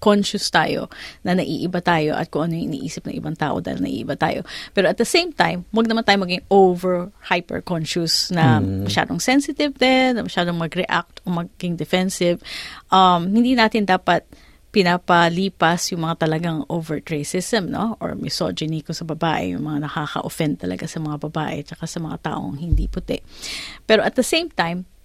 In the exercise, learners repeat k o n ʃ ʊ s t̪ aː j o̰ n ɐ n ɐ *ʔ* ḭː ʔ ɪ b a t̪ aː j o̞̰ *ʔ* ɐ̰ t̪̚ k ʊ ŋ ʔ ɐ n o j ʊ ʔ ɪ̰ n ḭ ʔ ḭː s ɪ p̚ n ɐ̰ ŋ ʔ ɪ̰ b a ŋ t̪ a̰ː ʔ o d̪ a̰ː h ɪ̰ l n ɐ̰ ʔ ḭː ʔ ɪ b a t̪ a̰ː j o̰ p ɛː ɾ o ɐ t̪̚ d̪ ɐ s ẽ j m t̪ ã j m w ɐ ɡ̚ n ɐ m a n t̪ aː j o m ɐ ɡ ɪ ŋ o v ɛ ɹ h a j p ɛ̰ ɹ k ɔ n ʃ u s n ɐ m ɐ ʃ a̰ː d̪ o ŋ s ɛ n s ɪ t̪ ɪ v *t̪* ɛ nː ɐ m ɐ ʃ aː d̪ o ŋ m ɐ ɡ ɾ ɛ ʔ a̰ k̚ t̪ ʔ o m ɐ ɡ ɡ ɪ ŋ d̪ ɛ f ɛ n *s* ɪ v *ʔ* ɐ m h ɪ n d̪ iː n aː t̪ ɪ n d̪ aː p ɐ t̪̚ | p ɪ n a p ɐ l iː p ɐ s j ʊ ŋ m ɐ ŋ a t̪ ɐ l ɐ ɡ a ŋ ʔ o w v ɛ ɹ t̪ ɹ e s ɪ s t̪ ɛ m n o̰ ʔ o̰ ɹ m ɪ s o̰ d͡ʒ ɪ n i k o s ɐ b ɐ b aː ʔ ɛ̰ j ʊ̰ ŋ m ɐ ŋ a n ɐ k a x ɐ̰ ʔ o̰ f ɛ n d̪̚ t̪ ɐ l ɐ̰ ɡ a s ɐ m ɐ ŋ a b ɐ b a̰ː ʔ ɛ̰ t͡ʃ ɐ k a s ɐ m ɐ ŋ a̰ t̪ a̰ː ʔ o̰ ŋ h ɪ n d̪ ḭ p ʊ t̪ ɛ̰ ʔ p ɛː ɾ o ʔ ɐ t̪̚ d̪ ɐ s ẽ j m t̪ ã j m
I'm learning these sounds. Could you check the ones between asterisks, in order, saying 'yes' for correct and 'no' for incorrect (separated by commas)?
yes, yes, no, yes, yes